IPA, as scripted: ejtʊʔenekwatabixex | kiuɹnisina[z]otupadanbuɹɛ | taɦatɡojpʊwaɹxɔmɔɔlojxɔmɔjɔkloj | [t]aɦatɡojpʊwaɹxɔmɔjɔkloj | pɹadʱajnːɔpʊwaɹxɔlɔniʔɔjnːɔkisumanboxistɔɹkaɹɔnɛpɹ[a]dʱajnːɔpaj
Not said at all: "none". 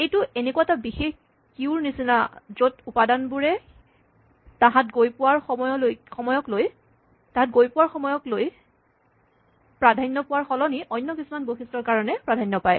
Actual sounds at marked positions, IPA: z, t, a

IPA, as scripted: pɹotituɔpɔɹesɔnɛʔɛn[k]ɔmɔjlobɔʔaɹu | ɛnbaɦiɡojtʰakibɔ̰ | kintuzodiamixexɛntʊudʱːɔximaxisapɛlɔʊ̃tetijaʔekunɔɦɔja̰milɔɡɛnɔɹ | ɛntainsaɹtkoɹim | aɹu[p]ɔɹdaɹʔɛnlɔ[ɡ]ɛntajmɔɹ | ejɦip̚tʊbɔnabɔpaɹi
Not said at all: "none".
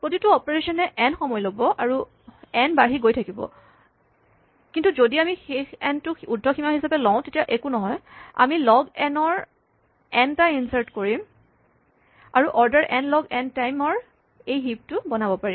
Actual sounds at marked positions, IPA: x, ʔ, ɡ

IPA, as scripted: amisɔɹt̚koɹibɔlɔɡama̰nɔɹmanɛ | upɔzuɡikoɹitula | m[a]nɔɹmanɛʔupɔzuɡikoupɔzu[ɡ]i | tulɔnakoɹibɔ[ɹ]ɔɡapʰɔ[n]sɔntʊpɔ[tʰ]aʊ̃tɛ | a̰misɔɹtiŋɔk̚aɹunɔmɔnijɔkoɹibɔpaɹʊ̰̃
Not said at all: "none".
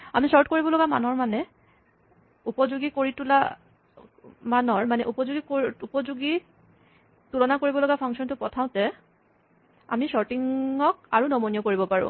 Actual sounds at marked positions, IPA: a, ɡ, l, ŋ, tʰ

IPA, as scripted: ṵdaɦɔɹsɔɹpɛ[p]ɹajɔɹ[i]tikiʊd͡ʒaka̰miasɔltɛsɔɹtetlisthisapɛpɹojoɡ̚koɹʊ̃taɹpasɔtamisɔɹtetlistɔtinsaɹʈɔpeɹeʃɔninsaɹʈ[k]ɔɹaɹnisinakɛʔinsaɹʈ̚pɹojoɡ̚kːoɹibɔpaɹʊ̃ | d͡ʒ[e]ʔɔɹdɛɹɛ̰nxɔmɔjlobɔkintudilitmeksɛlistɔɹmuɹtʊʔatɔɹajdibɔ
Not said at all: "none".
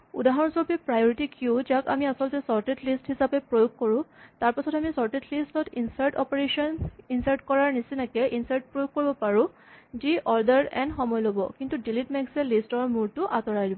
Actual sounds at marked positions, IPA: p, i, k, i

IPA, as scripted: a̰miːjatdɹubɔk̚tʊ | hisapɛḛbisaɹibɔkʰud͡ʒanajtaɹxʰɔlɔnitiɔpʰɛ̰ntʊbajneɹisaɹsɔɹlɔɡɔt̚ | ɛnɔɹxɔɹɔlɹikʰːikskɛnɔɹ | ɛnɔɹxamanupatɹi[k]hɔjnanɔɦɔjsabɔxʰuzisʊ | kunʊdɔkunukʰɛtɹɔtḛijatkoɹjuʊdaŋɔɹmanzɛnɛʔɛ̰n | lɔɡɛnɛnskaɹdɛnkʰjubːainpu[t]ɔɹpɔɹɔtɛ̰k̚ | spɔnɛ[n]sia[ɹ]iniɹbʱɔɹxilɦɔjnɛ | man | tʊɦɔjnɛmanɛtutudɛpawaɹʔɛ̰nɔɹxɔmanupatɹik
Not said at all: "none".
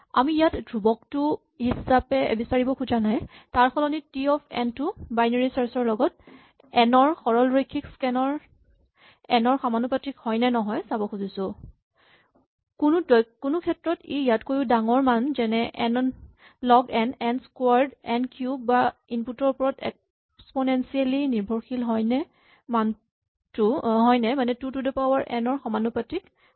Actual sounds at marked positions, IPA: k, t, n, l

